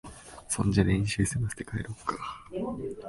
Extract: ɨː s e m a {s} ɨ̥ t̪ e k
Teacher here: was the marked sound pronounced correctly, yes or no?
yes